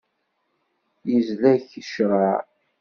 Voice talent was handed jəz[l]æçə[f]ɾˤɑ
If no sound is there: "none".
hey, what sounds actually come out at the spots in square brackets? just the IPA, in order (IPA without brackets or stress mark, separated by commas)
l, ʃ